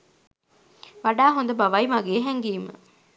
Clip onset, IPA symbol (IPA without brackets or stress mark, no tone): ʋ